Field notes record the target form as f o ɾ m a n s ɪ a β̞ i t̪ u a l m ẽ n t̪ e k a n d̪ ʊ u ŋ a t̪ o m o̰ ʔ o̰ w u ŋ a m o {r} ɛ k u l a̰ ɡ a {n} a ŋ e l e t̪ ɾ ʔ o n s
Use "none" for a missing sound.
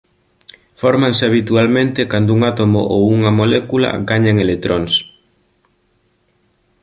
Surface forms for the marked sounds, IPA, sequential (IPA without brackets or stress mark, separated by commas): l, ɲ